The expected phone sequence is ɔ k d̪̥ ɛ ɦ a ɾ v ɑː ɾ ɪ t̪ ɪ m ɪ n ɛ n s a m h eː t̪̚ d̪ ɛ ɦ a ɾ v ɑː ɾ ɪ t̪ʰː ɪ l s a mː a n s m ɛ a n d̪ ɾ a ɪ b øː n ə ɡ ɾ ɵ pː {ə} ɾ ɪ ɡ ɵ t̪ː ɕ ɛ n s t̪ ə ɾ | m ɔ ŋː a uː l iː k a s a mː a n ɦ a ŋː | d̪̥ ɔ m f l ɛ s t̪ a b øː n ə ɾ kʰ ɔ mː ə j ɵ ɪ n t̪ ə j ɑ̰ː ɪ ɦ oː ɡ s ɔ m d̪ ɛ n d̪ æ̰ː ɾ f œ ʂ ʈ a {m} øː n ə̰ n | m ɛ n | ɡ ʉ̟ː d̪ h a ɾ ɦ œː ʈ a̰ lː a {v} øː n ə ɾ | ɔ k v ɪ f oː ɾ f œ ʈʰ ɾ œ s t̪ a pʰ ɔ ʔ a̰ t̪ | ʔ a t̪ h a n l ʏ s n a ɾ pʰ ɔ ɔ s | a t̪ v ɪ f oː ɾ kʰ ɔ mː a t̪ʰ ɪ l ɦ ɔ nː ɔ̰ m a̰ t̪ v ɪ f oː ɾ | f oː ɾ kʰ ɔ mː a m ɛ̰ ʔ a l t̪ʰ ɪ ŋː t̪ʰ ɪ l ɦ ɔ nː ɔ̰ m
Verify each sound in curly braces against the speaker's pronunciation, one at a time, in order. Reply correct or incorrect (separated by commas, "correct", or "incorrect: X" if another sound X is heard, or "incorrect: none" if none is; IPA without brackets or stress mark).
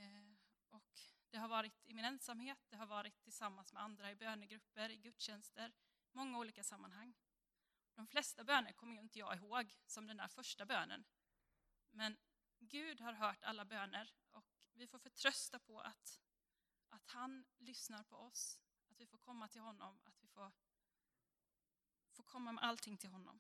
correct, incorrect: b, incorrect: b